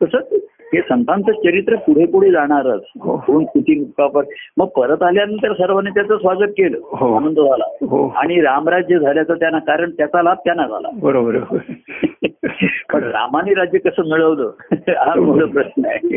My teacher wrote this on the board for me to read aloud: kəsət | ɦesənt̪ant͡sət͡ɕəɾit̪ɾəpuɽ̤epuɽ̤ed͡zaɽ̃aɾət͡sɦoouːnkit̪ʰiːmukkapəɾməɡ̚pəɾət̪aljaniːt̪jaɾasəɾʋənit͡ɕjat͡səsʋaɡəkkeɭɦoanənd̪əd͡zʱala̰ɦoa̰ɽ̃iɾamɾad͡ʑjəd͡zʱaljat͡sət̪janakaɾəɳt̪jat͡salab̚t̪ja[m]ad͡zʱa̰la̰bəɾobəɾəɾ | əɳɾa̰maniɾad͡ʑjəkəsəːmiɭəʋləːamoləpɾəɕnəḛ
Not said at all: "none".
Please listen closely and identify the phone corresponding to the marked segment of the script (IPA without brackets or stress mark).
n